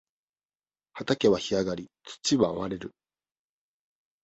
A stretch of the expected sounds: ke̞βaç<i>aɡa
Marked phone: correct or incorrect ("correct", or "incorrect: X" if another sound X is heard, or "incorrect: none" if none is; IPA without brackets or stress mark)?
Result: correct